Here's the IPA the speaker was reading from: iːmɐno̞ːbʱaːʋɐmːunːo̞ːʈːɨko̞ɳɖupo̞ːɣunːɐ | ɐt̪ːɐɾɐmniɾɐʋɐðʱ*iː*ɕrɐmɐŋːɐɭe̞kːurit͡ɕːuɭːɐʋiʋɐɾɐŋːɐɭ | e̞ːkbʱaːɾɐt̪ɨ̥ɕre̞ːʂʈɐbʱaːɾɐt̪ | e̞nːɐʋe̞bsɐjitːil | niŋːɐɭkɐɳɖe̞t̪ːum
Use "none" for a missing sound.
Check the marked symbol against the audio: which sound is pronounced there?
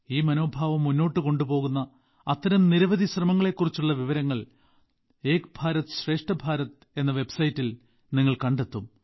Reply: i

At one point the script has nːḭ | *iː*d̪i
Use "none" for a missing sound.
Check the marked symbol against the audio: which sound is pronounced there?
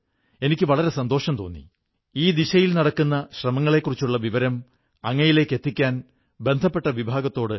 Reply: iː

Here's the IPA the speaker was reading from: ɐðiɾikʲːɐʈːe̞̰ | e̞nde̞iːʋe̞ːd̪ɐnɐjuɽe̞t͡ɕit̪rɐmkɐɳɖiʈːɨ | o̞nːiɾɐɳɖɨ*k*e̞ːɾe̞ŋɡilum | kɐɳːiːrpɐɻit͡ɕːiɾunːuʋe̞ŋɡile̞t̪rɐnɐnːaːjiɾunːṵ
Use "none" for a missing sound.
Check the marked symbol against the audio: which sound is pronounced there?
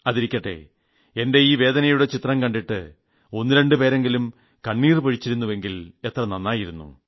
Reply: p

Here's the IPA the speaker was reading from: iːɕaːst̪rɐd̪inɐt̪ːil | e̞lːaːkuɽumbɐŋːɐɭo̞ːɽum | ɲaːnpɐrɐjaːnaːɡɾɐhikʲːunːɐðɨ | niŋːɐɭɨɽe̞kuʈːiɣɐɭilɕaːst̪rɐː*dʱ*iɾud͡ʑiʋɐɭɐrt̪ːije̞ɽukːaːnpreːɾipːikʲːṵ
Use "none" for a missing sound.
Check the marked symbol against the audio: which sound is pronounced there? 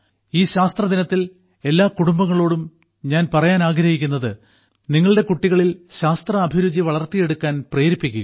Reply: bʱ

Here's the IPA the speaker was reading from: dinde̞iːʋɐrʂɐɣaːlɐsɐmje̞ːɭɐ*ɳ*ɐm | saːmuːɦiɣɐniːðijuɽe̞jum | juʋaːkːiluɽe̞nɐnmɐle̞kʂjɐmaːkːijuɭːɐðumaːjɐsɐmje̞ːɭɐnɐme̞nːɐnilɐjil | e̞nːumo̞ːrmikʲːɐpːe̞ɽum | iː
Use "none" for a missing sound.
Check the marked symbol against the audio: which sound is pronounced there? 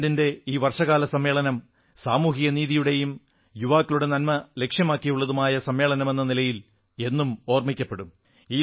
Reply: n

